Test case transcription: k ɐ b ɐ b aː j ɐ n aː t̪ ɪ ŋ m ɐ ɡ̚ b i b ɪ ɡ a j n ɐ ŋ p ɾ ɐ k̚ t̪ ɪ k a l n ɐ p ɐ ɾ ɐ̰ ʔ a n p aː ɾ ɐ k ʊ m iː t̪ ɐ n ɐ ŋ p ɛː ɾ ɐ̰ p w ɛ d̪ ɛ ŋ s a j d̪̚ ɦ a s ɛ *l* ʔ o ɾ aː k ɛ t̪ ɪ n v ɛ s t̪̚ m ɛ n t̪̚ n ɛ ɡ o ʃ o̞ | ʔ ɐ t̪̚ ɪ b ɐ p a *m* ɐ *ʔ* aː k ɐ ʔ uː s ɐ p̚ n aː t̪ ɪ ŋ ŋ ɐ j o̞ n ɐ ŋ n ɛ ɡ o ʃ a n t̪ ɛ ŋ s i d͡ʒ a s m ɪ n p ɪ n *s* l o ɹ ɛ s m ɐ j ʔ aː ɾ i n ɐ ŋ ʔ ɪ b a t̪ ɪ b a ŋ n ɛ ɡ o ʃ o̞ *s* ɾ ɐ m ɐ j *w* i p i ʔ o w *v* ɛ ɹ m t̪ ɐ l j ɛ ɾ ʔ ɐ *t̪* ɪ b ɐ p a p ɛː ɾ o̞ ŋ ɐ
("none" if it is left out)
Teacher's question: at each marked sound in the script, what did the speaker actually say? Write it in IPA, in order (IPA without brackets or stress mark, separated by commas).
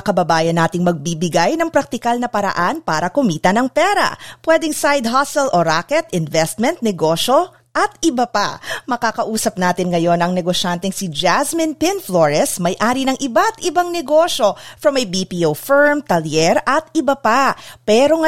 l, m, k, f, f, b, f, t̪